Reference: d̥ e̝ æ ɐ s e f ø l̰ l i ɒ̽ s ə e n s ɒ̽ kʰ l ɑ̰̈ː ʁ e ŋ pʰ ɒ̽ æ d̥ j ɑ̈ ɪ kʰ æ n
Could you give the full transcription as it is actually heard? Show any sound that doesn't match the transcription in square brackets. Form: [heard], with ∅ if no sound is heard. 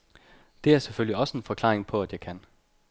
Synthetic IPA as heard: d̥ e̝ æ ɐ s e f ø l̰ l i ɒ̽ s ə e n [f] ɒ̽ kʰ l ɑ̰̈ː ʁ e ŋ pʰ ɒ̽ æ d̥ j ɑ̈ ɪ kʰ æ n